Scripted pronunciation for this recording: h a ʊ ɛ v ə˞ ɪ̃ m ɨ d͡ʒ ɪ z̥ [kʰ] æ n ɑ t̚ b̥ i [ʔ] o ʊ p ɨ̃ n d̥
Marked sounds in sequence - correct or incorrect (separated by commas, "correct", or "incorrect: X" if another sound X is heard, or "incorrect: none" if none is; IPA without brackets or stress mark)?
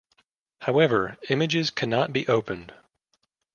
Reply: correct, correct